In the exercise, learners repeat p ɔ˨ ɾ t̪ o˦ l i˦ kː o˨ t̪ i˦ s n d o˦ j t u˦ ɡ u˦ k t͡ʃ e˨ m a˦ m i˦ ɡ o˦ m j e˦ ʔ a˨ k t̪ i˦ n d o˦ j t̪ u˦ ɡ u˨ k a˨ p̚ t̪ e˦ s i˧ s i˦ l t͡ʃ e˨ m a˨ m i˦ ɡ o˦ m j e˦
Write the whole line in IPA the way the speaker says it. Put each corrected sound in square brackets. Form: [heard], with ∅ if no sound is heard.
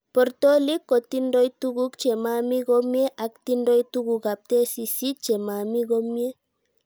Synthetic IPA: p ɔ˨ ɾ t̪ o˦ l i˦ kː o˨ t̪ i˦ [∅] n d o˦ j t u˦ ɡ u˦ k t͡ʃ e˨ m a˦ m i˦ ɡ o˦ m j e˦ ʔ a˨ k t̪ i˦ n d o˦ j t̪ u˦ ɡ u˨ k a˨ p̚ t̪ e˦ s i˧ s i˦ [∅] t͡ʃ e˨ m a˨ m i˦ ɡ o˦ m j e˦